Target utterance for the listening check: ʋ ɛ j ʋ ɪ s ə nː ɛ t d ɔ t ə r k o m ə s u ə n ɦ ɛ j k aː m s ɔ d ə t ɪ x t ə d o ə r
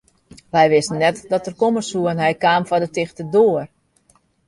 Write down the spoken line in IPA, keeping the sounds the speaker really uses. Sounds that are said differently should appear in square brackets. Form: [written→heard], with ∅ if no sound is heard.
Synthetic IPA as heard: ʋ ɛ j ʋ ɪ s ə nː ɛ t d ɔ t ə r k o m ə s u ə n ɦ ɛ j k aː m [s→f] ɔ d ə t ɪ x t ə d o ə r